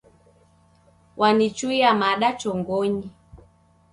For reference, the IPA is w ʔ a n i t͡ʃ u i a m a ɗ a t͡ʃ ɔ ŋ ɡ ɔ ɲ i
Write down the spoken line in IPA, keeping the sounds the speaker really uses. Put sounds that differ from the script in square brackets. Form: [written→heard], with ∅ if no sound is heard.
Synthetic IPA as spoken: w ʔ a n i t͡ʃ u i a m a ɗ a t͡ʃ ɔ ŋ ɡ ɔ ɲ i